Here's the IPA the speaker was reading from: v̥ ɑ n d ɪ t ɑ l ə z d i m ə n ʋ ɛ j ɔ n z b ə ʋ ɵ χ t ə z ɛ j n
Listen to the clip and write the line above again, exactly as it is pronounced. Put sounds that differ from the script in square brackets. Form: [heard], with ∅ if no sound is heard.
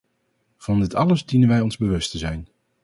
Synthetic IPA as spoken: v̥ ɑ n d ɪ t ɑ l ə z d i [n] ə n ʋ ɛ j ɔ n z b ə ʋ ɵ [s] t ə z ɛ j n